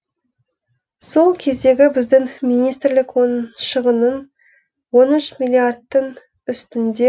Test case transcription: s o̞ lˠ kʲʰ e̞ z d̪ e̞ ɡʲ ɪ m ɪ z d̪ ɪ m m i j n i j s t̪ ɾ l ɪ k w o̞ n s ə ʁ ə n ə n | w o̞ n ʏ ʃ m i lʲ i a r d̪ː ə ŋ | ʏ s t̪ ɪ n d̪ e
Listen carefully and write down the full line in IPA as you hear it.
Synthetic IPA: s o̞ lˠ kʲʰ e̞ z d̪ e̞ ɡʲ ɪ b ɪ z d̪ ɪ ŋ m i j n i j s t̪ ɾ l ɪ k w o̞ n ʃ ə ʁ ə n ə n | w o̞ n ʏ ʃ m i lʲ i a r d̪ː ə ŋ | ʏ s t̪ ɪ n d̪ e